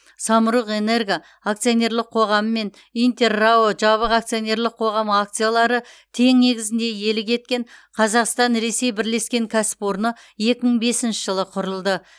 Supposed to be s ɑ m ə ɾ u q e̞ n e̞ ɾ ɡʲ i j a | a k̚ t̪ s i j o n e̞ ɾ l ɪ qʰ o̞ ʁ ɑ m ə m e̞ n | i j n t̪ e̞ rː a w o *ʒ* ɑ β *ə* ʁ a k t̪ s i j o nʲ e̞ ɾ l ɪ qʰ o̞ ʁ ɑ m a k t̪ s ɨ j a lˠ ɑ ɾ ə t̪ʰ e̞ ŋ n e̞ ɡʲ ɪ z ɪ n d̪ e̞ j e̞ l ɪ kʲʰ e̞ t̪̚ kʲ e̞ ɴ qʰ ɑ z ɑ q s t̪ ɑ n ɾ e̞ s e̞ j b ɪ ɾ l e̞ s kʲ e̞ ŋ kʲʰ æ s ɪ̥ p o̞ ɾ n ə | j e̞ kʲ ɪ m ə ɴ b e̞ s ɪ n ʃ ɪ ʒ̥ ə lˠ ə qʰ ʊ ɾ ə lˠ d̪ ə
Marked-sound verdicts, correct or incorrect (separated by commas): correct, correct